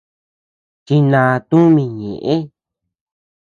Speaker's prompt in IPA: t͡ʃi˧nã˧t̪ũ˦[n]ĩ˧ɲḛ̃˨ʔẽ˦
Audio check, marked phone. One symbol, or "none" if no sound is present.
m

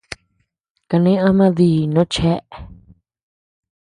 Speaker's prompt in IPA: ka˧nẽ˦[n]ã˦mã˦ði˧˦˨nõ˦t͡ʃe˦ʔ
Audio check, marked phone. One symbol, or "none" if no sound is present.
none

